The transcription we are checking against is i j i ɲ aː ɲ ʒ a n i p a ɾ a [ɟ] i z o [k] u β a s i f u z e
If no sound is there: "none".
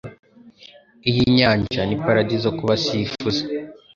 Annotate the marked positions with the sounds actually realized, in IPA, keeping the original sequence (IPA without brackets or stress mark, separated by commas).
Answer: ɟ, k